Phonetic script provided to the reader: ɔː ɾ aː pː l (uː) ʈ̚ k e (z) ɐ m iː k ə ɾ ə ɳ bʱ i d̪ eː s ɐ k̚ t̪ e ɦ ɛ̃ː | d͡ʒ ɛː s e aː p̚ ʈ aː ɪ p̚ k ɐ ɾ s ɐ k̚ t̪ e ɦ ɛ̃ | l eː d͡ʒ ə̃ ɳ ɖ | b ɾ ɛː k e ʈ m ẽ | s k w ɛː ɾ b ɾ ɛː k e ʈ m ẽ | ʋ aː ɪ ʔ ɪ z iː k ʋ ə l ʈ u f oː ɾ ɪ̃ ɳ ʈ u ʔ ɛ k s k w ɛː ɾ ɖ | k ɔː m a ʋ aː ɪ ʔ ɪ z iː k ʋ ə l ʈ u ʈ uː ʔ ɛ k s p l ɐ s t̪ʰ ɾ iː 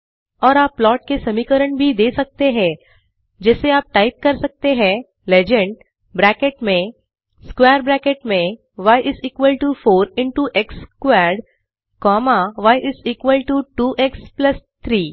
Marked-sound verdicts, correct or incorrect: incorrect: ɔː, incorrect: s

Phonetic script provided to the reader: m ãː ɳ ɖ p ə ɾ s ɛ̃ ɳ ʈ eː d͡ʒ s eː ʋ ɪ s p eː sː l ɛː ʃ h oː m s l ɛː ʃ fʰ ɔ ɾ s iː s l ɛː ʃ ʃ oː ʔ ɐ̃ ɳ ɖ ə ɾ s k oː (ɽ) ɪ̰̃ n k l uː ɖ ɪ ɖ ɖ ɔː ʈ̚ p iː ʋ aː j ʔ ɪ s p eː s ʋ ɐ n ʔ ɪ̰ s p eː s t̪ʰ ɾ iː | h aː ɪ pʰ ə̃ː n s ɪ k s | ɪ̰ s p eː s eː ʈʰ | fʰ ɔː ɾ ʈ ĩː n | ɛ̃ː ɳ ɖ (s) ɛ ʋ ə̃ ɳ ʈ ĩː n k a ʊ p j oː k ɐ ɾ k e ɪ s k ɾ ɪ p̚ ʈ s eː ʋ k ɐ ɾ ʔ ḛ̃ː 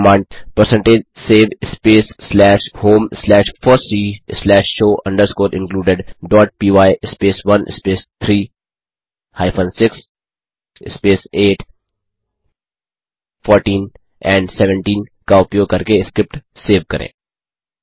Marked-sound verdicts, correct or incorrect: incorrect: ɾ, correct

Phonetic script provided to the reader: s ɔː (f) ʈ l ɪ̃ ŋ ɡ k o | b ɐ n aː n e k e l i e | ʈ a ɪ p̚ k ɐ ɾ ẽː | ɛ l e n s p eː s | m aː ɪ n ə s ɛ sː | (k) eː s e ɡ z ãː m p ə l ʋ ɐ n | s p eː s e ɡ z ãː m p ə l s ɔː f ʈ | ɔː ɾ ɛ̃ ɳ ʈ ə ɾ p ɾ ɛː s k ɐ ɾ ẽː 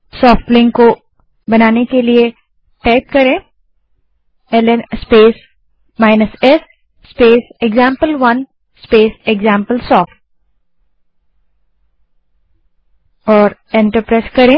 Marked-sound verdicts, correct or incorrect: correct, incorrect: p

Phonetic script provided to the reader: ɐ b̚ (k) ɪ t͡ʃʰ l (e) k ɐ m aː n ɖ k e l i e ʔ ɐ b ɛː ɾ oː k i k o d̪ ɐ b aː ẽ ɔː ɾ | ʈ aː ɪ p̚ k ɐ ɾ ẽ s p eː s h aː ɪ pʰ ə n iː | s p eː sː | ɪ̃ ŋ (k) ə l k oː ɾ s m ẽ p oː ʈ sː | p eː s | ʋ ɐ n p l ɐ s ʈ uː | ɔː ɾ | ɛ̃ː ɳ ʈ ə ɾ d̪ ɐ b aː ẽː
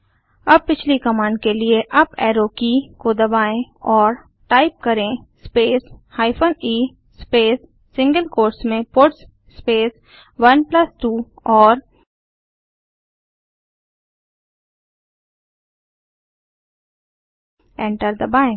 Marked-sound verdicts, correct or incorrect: incorrect: p, incorrect: i, incorrect: ɡ

